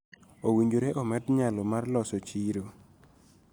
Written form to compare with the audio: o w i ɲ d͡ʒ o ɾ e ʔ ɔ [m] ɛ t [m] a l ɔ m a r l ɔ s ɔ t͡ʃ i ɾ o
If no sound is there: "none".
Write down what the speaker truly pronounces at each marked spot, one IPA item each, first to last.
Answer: m, ɲ

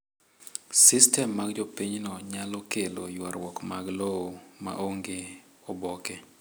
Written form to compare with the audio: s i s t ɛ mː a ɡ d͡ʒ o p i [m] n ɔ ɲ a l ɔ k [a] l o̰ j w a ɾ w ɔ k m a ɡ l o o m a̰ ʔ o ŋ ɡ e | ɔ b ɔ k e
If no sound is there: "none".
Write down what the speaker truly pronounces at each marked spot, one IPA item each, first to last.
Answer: ɲ, e

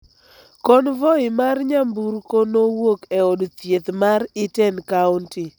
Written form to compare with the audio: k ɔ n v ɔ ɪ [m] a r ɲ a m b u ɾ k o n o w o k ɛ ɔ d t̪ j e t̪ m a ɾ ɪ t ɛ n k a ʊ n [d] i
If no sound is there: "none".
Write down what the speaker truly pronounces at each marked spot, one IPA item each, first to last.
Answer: m, t

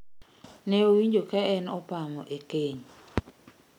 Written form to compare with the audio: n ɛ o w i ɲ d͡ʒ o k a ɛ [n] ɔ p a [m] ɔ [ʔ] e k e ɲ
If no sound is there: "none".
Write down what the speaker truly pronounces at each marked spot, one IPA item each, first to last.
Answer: n, m, ʔ

